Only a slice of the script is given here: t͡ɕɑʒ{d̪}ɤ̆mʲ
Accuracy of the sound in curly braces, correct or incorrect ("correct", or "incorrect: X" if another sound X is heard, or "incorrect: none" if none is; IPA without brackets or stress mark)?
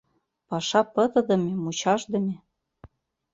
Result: correct